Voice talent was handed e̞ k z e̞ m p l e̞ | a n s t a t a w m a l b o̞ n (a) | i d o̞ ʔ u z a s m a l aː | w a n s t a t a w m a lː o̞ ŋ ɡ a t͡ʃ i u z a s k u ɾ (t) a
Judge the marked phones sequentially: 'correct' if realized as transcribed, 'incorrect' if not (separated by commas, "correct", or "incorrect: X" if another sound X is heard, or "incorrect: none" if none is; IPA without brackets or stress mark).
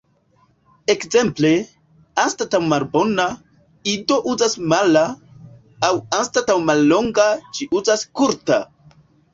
correct, correct